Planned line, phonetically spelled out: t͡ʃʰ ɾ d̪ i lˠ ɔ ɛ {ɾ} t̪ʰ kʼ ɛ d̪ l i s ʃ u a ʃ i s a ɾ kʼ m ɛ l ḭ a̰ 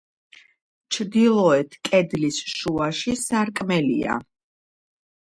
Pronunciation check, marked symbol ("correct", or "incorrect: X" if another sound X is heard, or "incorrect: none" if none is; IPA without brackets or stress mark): incorrect: none